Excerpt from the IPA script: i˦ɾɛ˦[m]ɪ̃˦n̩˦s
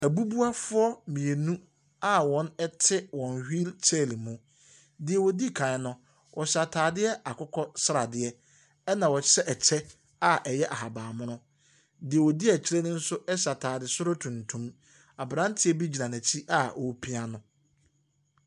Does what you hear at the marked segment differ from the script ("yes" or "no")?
yes